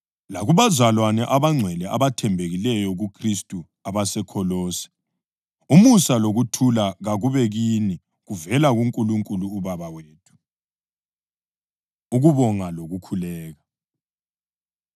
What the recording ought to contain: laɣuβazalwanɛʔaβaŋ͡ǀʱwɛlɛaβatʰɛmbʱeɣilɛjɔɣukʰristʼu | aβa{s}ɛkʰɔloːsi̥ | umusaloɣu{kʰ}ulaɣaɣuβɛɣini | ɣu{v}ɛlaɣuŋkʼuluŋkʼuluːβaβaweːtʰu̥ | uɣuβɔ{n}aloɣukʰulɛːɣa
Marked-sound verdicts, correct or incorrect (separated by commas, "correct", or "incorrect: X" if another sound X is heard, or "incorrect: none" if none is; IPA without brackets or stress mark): correct, incorrect: tʰ, correct, incorrect: ŋ